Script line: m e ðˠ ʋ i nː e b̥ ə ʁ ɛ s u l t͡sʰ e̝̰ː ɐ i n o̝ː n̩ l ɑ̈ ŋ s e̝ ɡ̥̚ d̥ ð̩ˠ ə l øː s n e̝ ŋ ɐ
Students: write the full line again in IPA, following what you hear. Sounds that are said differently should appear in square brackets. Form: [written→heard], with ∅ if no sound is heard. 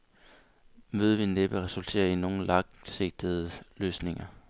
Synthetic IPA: m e ðˠ ʋ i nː e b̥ ə ʁ ɛ s u l t͡sʰ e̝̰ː ɐ i n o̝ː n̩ l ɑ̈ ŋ s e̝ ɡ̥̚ d̥ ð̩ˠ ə l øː s n e̝ ŋ ɐ